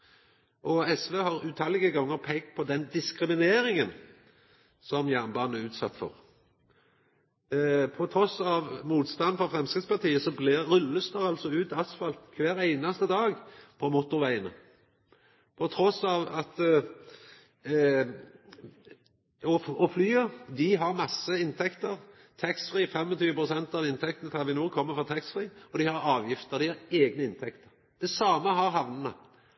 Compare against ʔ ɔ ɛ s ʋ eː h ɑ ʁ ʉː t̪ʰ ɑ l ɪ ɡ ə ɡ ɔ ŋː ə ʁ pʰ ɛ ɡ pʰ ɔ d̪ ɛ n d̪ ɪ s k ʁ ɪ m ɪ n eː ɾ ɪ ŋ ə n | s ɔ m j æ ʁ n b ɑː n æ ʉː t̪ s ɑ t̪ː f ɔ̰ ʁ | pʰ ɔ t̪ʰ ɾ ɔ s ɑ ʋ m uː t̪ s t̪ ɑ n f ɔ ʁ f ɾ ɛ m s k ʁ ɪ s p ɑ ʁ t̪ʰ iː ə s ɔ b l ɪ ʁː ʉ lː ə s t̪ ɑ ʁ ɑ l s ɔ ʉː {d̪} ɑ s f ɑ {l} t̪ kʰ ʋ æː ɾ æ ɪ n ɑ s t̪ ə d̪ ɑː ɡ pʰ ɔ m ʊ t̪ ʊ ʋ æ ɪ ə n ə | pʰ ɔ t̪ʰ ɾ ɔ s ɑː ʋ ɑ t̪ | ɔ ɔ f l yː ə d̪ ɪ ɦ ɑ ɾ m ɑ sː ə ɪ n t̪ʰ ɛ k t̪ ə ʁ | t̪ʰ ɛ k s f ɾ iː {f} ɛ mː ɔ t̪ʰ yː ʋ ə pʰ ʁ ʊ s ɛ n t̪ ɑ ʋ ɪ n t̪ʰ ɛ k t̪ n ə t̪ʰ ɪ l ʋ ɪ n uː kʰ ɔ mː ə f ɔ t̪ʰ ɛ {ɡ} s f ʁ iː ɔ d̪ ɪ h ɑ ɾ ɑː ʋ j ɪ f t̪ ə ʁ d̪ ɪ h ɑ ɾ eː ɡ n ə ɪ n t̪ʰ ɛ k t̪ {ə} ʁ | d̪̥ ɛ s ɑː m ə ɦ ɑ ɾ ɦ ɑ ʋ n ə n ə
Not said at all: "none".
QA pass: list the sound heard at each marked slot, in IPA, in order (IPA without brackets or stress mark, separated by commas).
t̪, l, f, k, ə